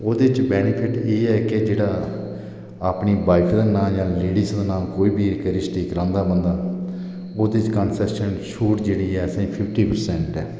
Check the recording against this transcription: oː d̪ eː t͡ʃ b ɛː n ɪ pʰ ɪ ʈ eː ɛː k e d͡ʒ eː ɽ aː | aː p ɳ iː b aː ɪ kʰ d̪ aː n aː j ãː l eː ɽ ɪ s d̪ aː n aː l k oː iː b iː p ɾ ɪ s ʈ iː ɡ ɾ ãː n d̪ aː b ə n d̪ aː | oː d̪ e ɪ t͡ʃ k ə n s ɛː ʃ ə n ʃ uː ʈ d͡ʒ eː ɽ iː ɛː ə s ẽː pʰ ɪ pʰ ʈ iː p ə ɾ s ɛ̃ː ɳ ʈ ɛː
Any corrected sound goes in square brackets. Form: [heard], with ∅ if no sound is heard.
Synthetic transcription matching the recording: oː d̪ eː t͡ʃ b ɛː n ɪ pʰ ɪ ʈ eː ɛː k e d͡ʒ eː ɽ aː | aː p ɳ iː b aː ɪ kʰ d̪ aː n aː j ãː l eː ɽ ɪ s d̪ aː n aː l k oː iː b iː [k] ɾ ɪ s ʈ iː [k] ɾ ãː n d̪ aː b ə n d̪ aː | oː d̪ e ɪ t͡ʃ k ə n s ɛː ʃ ə n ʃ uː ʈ d͡ʒ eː ɽ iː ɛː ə s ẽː pʰ ɪ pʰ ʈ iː p ə ɾ s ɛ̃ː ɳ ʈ ɛː

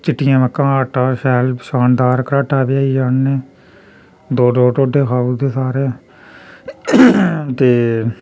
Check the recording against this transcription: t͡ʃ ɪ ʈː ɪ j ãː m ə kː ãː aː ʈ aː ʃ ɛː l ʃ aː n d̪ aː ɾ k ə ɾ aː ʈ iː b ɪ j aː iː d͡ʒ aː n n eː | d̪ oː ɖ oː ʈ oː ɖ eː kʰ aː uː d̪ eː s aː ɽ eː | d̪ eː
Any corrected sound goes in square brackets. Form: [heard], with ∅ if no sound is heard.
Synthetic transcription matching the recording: t͡ʃ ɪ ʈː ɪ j ãː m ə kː ãː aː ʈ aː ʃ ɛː l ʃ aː n d̪ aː ɾ k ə ɾ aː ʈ [aː] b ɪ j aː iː d͡ʒ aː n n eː | d̪ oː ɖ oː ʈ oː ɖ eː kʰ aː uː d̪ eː s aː [ɾ] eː | [t̪] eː

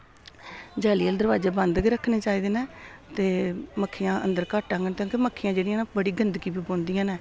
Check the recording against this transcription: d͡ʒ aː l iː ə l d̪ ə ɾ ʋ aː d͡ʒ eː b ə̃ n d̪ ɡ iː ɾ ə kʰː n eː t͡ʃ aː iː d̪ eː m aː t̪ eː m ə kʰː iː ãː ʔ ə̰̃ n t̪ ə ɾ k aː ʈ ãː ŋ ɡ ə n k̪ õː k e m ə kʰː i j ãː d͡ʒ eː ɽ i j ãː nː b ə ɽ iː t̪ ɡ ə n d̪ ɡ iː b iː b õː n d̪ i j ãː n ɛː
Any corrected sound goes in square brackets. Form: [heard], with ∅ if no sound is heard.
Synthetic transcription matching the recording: d͡ʒ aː l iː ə l d̪ ə ɾ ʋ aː d͡ʒ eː b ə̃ n d̪ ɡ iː ɾ ə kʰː n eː t͡ʃ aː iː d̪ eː [n] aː t̪ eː m ə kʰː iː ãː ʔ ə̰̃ n [d̪] ə ɾ k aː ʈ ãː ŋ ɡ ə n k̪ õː k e m ə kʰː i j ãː d͡ʒ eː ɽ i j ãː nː b ə ɽ iː [∅] ɡ ə n d̪ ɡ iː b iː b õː n d̪ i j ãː n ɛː

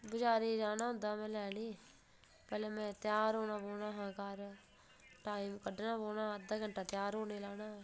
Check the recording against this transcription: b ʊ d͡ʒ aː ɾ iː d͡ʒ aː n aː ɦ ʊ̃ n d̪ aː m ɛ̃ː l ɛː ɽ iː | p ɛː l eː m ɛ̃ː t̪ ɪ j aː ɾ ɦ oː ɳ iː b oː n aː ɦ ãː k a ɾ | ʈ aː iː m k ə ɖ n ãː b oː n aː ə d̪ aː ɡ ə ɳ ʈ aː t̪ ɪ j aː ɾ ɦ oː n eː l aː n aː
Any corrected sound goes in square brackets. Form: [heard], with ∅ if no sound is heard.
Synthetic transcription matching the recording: b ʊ d͡ʒ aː ɾ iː d͡ʒ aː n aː ɦ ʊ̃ n d̪ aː m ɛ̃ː l ɛː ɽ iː | p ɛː l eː m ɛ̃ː t̪ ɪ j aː ɾ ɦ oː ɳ [aː] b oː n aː ɦ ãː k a ɾ | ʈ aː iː m k ə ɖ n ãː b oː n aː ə d̪ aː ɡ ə ɳ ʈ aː t̪ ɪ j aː ɾ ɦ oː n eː l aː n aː

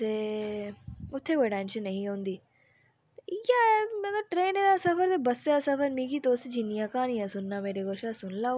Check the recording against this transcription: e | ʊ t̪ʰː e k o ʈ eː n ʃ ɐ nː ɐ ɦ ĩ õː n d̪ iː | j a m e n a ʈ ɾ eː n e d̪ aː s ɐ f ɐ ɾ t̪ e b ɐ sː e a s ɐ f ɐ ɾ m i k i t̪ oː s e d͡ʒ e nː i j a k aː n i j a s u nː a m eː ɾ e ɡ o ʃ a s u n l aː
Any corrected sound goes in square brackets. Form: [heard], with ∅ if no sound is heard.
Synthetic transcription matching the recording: e | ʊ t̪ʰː e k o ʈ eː n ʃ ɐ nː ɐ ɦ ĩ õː n d̪ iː | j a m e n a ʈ ɾ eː n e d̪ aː s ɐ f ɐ ɾ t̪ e b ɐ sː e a s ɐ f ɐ ɾ m i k i t̪ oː s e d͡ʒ [i] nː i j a k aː n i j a s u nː a m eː ɾ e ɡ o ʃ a s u n l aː

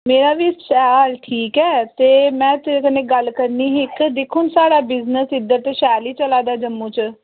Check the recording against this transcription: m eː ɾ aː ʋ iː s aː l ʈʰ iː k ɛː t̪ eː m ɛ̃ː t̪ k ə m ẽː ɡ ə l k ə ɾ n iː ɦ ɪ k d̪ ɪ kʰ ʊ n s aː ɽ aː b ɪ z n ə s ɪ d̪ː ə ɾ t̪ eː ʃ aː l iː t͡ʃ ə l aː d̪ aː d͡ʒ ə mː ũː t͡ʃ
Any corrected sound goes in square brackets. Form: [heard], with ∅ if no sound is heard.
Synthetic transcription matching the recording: m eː ɾ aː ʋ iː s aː l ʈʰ iː k ɛː t̪ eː m ɛ̃ː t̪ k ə [n] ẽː ɡ ə l k ə ɾ n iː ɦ ɪ k d̪ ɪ kʰ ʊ n s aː ɽ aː b ɪ z n ə s ɪ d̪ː ə ɾ t̪ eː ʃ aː l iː t͡ʃ ə l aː d̪ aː d͡ʒ ə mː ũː t͡ʃ

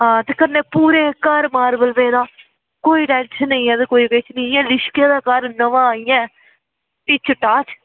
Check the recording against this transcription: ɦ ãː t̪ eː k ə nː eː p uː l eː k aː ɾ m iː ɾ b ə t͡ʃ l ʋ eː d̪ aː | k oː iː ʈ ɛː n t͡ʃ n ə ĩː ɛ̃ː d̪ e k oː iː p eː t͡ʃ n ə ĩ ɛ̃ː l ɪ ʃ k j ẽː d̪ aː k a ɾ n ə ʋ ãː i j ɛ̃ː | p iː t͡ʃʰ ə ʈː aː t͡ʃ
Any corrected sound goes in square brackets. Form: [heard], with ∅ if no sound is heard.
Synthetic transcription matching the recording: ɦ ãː t̪ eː k ə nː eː p uː [ɾ] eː k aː ɾ m [aː] ɾ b ə [∅] l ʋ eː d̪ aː | k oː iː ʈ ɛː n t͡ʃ n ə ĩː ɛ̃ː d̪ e k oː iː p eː t͡ʃ n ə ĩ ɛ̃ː l ɪ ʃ k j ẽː d̪ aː k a ɾ n ə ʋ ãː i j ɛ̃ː | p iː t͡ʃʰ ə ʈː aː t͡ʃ

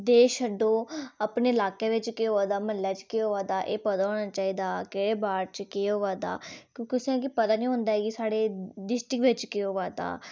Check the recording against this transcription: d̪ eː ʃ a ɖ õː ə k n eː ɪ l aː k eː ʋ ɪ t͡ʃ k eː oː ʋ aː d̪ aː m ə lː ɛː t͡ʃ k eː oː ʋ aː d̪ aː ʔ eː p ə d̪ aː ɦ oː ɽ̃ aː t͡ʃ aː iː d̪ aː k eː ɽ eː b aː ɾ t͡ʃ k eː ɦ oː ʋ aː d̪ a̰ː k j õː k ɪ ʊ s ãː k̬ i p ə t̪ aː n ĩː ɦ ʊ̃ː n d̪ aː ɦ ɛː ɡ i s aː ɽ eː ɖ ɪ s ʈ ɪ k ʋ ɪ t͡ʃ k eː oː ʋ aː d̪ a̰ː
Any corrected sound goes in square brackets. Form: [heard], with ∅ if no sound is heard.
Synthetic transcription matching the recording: d̪ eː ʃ [ə] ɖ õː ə [p] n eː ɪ l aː k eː ʋ ɪ t͡ʃ k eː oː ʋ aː d̪ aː m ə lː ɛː t͡ʃ k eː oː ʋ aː d̪ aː ʔ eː p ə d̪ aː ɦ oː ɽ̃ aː t͡ʃ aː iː d̪ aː k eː ɽ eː b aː ɾ t͡ʃ k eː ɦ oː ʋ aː d̪ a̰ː k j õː k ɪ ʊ s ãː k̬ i p ə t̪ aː n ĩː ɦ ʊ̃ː n d̪ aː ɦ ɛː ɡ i s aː ɽ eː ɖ ɪ s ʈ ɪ k ʋ ɪ t͡ʃ k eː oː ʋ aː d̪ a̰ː

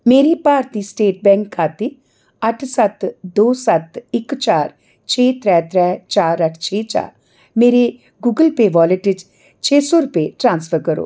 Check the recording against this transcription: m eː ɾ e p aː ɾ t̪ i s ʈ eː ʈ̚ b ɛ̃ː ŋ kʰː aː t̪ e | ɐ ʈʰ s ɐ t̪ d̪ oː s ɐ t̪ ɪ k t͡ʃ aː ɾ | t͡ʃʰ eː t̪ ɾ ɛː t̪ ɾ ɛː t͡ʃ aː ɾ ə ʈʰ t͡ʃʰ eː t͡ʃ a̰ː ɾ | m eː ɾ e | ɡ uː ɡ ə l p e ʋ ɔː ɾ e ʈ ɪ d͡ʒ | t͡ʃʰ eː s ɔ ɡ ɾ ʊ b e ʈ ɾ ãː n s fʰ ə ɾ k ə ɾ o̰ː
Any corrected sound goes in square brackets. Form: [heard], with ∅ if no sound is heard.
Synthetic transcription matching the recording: m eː ɾ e p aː ɾ t̪ i s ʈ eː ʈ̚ b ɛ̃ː ŋ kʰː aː t̪ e | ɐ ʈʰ s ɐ t̪ d̪ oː s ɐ t̪ ɪ k t͡ʃ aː ɾ | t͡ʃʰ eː t̪ ɾ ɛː t̪ ɾ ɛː t͡ʃ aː ɾ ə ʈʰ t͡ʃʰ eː t͡ʃ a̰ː ɾ | m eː ɾ e | ɡ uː ɡ ə l p e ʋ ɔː [l] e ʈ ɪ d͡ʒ | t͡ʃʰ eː s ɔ [∅] ɾ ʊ [p] e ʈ ɾ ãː n s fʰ ə ɾ k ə ɾ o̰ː

